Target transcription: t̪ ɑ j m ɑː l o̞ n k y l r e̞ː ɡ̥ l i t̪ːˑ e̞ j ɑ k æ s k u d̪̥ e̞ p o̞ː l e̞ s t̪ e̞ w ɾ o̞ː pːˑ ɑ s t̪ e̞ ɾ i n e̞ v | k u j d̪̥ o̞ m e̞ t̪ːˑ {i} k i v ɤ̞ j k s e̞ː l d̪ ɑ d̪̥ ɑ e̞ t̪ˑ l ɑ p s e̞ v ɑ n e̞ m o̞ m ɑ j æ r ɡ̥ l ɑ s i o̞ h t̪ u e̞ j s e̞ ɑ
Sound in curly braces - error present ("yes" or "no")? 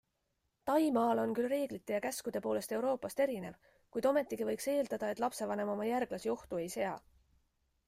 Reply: no